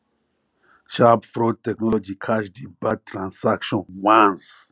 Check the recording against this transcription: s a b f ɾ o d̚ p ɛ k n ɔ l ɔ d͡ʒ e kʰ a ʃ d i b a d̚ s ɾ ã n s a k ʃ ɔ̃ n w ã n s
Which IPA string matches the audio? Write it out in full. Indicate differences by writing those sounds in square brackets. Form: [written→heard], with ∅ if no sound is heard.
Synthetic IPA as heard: [s→ʃ] a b f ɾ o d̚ [p→t] ɛ k n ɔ l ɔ d͡ʒ [e→i] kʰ a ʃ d i b a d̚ [s→t] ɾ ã n s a k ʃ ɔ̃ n w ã n s